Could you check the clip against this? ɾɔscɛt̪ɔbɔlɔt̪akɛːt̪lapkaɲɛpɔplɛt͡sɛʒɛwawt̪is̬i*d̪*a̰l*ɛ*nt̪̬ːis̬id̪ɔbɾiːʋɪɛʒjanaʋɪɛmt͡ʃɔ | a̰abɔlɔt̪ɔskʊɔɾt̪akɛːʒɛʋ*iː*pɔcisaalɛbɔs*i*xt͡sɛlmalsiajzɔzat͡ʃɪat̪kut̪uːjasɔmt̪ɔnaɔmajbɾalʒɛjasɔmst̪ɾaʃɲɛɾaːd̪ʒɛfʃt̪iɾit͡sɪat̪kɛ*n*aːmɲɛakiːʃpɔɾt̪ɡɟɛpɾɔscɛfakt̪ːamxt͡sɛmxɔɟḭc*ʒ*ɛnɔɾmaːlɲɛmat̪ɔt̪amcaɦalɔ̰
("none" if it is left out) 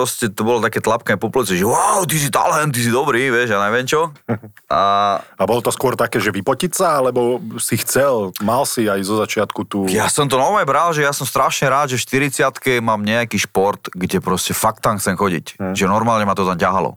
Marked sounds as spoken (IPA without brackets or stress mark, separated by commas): t̪, ɛ, i, i, m, ʒ